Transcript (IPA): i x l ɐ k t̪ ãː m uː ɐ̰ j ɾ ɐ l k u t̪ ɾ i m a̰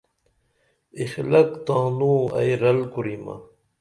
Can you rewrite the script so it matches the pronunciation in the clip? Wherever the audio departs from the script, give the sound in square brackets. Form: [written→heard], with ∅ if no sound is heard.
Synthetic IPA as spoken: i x l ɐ k t̪ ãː [m→n] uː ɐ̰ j ɾ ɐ l k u [t̪→∅] ɾ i m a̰